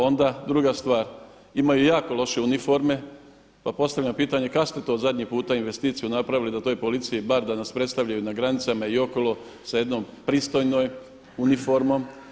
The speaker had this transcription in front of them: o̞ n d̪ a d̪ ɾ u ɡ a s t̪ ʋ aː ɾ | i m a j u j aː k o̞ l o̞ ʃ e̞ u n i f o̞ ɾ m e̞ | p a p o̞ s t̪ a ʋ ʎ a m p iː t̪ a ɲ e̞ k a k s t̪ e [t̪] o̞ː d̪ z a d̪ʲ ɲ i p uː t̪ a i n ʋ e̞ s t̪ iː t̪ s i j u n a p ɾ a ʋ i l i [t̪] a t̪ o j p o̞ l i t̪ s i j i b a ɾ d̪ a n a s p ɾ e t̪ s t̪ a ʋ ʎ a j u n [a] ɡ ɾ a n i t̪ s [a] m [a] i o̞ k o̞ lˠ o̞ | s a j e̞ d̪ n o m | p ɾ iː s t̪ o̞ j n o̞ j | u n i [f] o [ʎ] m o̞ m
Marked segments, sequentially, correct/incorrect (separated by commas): correct, incorrect, correct, correct, correct, correct, incorrect